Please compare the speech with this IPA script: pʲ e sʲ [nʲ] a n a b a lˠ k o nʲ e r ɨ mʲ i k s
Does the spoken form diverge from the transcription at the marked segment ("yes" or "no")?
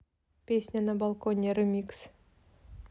no